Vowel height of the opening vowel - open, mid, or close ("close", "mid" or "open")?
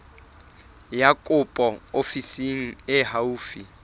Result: open